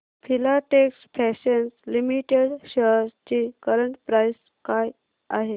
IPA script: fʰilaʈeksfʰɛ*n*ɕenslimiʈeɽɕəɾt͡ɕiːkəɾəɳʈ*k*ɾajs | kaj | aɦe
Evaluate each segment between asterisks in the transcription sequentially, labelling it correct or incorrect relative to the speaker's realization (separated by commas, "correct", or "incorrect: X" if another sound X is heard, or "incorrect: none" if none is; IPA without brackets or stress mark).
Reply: incorrect: none, incorrect: p